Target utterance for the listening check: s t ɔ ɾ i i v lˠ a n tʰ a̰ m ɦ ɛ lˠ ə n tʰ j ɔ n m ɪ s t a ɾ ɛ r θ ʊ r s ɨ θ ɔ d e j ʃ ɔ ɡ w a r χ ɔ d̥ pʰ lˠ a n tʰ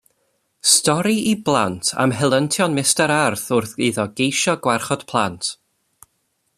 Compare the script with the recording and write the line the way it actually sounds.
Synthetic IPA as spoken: s t ɔ ɾ i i b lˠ a n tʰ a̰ m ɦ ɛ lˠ ə n tʰ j ɔ n m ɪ s t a ɾ a r θ ʊ r θ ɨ ð ɔ ɡ e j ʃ ɔ ɡ w a r χ ɔ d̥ pʰ lˠ a n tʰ